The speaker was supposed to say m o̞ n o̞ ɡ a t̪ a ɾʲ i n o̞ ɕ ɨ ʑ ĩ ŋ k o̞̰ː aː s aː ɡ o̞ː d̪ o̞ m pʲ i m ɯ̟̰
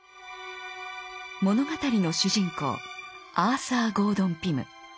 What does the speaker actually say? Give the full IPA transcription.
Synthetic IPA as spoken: m o̞ n o̞ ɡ a t̪ a ɾʲ i n o̞ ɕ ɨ ʑ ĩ ŋ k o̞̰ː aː s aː ɡ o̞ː d̪ õ̞ m pʲ i m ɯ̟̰